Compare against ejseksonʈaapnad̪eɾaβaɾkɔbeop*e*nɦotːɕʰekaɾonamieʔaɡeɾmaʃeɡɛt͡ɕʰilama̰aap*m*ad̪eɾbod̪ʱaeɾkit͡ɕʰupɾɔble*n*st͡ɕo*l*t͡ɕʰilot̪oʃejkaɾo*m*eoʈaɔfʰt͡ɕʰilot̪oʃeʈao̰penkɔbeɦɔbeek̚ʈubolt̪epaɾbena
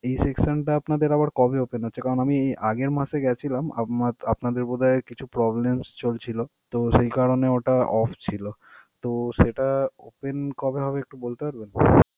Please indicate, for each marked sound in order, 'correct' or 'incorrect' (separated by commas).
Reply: correct, incorrect, incorrect, correct, incorrect